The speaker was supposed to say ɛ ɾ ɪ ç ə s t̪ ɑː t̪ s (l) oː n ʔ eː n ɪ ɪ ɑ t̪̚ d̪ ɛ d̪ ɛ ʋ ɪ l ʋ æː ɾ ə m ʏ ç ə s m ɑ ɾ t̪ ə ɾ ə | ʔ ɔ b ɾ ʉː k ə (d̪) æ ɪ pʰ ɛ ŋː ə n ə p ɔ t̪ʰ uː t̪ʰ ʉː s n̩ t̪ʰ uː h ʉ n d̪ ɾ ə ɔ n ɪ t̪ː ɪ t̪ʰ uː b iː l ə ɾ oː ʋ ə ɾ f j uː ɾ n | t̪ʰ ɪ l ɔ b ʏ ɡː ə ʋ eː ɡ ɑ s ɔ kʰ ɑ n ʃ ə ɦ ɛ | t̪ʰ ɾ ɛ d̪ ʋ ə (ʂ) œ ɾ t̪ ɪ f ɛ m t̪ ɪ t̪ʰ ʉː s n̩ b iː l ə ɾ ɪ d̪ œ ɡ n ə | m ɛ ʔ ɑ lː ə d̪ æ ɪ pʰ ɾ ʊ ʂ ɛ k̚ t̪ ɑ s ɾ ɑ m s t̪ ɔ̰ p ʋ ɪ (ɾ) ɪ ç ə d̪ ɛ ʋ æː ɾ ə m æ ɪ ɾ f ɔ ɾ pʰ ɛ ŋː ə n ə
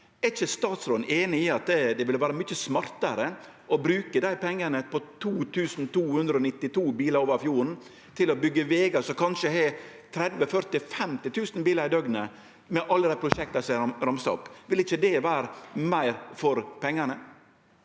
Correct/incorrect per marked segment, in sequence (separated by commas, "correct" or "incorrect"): incorrect, correct, incorrect, incorrect